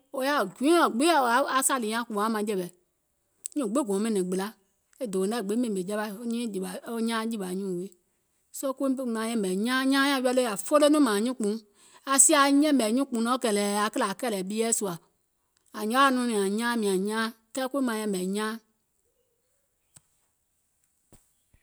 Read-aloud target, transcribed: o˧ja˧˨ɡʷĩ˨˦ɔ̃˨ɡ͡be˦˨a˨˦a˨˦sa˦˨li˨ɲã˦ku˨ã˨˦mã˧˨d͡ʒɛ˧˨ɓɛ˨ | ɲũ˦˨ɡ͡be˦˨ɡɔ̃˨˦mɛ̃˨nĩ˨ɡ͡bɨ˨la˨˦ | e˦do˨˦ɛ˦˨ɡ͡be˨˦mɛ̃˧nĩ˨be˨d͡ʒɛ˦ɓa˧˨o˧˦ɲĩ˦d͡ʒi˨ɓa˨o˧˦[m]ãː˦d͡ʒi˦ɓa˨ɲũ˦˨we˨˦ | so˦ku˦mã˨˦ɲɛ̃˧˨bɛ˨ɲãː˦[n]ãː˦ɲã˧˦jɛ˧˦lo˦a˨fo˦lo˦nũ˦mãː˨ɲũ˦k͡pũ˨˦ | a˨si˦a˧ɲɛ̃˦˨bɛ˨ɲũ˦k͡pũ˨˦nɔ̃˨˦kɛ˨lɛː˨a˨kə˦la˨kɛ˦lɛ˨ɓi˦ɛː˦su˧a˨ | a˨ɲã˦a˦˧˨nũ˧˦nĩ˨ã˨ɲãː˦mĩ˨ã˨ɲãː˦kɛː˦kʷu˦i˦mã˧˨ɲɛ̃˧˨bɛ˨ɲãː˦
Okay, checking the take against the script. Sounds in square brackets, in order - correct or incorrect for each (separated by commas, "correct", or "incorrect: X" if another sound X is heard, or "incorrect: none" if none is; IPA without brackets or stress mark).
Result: incorrect: ɲ, incorrect: ɲ